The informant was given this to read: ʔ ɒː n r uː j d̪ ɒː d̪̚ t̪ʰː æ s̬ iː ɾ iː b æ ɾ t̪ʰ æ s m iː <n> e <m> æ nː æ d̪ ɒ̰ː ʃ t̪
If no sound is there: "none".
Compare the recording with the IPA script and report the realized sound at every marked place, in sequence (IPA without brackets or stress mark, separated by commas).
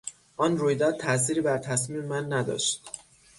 m, m